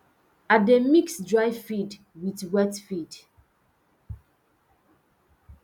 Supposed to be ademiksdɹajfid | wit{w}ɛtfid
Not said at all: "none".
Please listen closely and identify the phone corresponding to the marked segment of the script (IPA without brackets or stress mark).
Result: w